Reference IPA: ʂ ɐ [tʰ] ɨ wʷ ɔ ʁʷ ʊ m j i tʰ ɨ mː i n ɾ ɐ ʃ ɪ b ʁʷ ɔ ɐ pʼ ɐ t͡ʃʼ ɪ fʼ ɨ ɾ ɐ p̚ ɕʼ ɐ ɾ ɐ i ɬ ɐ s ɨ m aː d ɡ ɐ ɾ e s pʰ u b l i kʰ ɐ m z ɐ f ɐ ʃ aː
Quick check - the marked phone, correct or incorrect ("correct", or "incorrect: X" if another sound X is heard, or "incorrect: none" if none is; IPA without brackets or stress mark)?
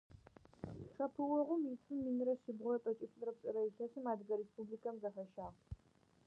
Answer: incorrect: pʰ